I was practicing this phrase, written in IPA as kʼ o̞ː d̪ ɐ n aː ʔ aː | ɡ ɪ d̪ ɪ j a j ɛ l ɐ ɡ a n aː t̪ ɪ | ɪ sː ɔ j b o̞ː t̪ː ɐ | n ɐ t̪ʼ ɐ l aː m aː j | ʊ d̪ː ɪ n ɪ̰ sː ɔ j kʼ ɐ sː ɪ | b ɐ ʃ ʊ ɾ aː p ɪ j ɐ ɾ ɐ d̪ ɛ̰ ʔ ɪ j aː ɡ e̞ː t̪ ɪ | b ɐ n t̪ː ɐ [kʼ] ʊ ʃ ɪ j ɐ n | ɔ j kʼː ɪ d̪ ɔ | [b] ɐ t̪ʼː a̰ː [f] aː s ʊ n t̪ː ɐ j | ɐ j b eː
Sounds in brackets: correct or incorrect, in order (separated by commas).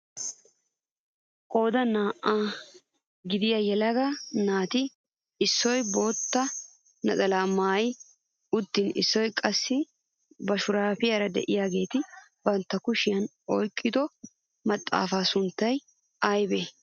incorrect, incorrect, correct